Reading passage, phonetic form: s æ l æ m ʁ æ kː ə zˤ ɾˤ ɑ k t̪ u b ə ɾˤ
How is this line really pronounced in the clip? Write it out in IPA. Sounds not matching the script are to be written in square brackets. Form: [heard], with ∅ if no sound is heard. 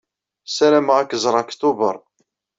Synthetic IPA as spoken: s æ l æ m ʁ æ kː ə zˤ ɾˤ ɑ k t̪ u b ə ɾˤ